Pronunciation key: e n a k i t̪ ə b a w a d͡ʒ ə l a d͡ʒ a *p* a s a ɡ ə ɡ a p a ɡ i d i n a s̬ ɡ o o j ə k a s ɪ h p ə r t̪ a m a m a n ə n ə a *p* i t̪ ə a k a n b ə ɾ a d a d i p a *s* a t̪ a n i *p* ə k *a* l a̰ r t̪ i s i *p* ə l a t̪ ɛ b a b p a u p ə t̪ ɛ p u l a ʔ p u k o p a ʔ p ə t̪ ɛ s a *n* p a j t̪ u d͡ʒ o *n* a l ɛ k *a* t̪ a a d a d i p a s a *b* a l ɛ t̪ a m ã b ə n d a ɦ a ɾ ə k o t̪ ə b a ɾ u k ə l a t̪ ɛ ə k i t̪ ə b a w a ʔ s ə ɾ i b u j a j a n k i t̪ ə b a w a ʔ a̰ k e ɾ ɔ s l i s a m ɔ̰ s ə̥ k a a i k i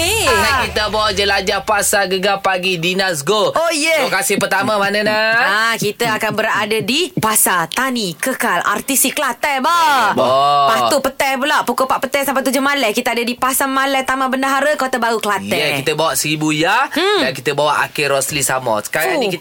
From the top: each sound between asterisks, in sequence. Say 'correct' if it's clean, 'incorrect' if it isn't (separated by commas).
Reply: correct, incorrect, correct, incorrect, correct, incorrect, incorrect, incorrect, incorrect, incorrect